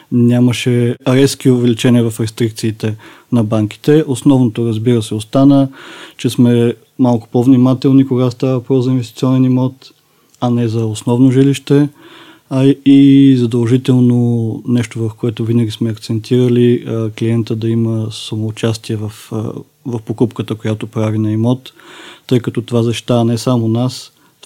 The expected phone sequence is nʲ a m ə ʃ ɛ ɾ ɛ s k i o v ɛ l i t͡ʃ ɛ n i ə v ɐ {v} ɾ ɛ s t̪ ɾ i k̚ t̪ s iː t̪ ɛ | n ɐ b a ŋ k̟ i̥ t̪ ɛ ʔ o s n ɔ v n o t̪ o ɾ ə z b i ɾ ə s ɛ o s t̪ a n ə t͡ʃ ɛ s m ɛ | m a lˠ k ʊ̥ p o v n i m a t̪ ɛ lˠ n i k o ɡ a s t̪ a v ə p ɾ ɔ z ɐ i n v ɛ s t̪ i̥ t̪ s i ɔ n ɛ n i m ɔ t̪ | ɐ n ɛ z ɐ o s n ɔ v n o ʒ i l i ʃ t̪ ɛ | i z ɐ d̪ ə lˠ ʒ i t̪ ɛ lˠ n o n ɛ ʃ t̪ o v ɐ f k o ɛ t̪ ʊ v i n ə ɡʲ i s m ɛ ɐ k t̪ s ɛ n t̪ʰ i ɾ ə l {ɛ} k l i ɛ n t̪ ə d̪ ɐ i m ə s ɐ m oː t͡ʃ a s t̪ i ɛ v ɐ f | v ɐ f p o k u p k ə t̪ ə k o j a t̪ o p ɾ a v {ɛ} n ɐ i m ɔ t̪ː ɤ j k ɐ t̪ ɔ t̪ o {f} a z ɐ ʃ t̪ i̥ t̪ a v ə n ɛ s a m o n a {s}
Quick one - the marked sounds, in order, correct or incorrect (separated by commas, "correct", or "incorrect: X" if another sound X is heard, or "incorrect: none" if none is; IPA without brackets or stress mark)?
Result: incorrect: f, incorrect: i, incorrect: i, incorrect: v, correct